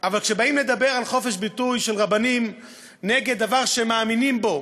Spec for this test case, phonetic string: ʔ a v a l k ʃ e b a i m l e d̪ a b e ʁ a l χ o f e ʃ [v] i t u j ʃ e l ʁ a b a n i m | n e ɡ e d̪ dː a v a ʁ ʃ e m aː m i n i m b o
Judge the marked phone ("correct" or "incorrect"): incorrect